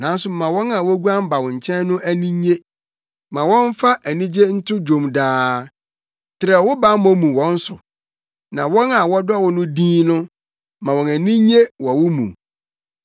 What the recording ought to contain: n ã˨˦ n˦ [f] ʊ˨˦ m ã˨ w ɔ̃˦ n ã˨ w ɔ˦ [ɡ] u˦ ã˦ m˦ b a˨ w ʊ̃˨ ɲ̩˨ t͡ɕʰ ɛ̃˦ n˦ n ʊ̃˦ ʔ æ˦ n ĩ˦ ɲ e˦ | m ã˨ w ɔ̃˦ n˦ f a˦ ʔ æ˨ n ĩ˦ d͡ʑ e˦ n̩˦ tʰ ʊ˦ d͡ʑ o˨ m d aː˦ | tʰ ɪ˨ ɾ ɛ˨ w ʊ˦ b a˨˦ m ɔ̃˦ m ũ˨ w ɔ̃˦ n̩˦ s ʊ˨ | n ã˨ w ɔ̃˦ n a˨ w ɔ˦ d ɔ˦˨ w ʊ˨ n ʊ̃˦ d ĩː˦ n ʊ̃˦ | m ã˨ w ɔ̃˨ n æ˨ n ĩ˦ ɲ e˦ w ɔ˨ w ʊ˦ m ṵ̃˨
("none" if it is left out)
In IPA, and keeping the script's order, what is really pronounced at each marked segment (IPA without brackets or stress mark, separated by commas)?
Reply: s, ɡ